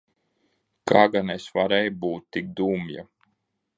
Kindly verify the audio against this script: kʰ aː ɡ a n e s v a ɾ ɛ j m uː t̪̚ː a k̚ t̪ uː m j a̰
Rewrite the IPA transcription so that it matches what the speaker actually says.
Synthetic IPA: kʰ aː ɡ a n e s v a ɾ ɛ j b uː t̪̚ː i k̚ d̪ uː m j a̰

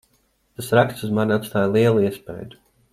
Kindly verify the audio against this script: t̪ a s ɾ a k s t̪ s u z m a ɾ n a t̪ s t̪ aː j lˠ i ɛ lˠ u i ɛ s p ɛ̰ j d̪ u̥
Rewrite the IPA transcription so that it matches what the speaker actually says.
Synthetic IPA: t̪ a s ɾ a k s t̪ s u z m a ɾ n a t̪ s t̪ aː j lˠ i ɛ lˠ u i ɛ s p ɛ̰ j d̪ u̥

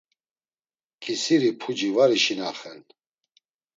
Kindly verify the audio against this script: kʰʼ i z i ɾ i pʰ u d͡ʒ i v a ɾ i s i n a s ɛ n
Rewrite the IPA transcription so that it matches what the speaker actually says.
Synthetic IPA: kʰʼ i s i ɾ i pʰ u d͡ʒ i v a ɾ i ʃ i n a χ ɛ n

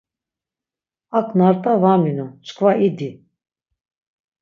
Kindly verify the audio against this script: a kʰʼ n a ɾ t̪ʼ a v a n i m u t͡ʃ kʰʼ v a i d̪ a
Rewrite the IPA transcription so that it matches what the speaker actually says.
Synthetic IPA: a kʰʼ n a ɾ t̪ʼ a v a m i n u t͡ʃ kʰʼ v a i d̪ i

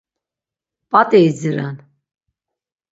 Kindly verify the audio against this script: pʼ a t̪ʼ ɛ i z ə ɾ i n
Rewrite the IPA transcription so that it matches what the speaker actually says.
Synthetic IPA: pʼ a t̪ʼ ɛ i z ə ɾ a n

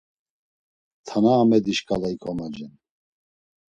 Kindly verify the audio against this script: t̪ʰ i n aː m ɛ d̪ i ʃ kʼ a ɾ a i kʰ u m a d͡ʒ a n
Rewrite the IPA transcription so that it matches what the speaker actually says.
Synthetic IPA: t̪ʰ a n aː m ɛ d̪ i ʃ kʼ a l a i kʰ ɔ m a d͡ʒ ɛ n

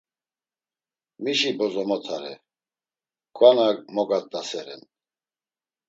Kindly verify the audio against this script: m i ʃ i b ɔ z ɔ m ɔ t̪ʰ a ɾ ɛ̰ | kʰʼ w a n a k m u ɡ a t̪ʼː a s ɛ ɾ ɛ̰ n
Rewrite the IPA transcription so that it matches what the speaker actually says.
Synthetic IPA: m i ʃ i b ɔ z ɔ m ɔ t̪ʰ a ɾ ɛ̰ | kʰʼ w a n a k m ɔ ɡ a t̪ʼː a s ɛ ɾ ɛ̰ n

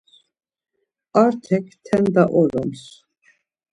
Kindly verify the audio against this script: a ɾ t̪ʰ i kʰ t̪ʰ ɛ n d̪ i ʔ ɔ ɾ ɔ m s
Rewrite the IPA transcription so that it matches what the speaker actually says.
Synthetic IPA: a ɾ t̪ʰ ɛ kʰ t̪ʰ ɛ n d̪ a ʔ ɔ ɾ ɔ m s

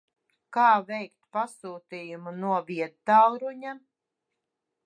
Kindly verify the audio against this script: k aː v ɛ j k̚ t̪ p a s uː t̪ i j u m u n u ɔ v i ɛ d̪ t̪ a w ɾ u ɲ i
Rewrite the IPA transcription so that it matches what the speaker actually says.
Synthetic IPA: k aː v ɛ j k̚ t̪ p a s uː t̪ i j u m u n u ɔ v i ɛ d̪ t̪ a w ɾ u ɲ a

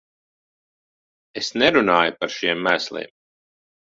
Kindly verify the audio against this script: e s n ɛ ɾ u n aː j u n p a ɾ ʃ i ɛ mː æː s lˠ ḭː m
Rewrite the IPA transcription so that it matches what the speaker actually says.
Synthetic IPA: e s n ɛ ɾ u n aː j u p a ɾ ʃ i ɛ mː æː s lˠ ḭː m

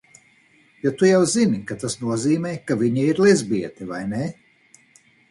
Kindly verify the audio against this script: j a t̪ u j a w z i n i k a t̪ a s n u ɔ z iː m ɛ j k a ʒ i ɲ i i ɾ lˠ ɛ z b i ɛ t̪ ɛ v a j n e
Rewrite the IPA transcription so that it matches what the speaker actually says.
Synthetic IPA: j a t̪ u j a w z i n i k a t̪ a s n u ɔ z iː m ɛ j k a v i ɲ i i ɾ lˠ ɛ z b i ɛ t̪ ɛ v a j n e

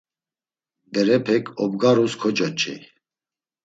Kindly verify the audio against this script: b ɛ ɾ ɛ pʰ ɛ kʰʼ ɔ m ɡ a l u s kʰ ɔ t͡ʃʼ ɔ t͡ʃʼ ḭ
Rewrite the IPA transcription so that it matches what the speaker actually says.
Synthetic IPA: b ɛ ɾ ɛ pʰ ɛ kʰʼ ɔ b ɡ a ɾ u s kʰ ɔ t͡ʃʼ ɔ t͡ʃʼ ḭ

